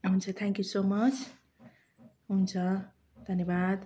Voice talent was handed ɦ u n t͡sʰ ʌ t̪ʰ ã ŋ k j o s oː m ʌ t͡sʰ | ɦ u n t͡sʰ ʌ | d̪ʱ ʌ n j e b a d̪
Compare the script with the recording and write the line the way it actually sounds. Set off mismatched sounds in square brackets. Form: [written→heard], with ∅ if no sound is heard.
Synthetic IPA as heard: ɦ u n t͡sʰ ʌ t̪ʰ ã ŋ k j [o→u] s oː m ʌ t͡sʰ | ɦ u n t͡sʰ ʌ | d̪ʱ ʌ n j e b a d̪